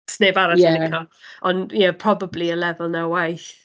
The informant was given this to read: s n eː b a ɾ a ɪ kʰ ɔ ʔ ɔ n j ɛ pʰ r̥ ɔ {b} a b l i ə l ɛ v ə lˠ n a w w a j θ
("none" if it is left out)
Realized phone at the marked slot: b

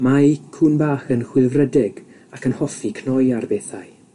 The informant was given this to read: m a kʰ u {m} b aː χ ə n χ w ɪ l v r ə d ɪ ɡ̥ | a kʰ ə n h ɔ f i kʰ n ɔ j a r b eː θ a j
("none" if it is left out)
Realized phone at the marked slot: n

